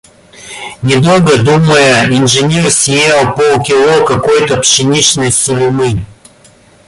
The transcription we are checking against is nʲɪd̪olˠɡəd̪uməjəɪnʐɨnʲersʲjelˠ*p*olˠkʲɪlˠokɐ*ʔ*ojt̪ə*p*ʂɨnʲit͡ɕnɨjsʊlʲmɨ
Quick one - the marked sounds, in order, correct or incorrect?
correct, incorrect: k, correct

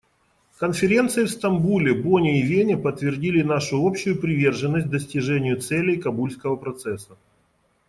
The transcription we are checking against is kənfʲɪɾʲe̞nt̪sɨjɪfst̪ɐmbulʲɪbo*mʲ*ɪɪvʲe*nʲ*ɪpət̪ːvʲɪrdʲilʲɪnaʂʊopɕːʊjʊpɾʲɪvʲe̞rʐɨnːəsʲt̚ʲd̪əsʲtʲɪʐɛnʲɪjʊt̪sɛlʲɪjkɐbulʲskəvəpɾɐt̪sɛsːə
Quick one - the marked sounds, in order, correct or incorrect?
incorrect: nʲ, correct

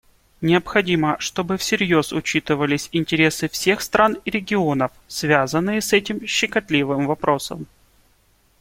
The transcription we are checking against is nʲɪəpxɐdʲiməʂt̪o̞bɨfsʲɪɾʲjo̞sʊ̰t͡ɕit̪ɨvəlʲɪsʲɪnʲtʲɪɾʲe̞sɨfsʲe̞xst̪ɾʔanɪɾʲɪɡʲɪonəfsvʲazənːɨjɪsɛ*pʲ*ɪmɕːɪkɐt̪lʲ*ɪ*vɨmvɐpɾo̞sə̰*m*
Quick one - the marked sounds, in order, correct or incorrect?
incorrect: tʲ, incorrect: i, correct

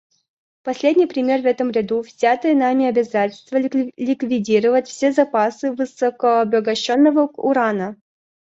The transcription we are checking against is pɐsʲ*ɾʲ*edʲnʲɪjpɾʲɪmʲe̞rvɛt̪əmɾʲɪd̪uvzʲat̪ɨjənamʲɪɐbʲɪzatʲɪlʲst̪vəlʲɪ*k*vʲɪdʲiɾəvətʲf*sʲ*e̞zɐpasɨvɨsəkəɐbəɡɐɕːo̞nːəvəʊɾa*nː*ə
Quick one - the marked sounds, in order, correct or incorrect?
incorrect: lʲ, correct, correct, incorrect: n

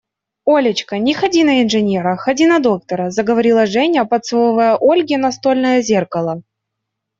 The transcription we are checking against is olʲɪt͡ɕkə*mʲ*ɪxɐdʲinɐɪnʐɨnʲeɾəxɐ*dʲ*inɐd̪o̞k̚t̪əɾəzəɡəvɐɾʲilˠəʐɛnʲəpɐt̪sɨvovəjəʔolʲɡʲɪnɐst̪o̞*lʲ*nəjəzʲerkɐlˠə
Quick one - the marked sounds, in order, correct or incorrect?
incorrect: nʲ, correct, correct

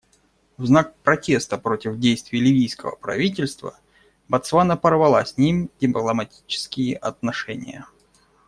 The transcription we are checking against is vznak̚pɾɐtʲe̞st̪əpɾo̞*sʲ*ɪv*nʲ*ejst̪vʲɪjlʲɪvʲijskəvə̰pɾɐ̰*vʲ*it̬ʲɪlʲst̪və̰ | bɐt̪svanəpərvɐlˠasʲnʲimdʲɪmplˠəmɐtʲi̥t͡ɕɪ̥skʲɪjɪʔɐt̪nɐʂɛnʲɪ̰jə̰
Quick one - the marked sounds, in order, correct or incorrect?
incorrect: tʲ, incorrect: dʲ, correct

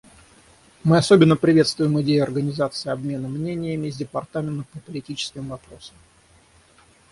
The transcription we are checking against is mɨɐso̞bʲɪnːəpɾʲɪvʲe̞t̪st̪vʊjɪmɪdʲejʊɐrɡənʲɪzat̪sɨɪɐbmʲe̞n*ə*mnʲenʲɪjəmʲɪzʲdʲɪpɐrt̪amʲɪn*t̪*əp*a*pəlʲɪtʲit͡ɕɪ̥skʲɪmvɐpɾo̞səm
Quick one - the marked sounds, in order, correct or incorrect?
correct, correct, incorrect: ə

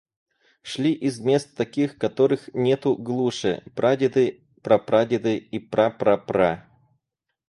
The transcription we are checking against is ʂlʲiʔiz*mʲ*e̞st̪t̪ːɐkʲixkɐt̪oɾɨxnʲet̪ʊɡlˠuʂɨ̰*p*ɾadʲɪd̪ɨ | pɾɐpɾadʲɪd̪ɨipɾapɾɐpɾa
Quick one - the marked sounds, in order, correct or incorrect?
correct, correct

